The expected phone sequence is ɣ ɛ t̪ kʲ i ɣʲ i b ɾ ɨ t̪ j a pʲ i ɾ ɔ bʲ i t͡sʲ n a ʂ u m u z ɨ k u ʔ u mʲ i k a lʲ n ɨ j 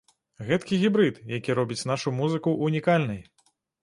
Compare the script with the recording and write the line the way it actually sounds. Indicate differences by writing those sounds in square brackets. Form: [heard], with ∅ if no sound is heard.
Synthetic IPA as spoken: ɣ ɛ t̪ kʲ i ɣʲ i b ɾ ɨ t̪ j a [kʲ] i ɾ ɔ bʲ i t͡sʲ n a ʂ u m u z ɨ k u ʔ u [nʲ] i k a lʲ n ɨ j